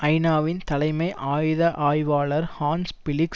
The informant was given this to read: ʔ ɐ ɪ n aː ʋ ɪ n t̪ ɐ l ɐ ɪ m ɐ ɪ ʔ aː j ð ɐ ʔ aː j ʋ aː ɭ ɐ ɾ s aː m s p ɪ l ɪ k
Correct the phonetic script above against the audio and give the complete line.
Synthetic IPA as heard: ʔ ɐ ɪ n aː ʋ ɪ n t̪ ɐ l ɐ ɪ m ɐ ɪ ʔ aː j ð ɐ ʔ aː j ʋ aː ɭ ɐ ɾ h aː n s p ɪ l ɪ k